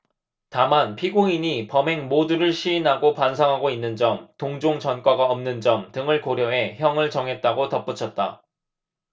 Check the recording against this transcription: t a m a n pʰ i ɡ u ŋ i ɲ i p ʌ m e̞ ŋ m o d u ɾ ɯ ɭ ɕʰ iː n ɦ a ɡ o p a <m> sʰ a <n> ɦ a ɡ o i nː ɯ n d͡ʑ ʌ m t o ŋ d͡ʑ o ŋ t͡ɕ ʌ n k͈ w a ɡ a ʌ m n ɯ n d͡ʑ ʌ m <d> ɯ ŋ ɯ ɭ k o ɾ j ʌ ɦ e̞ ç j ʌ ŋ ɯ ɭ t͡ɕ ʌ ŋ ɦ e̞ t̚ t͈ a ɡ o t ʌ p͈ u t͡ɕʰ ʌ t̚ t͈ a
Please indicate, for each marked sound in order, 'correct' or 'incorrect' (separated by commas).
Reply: incorrect, incorrect, incorrect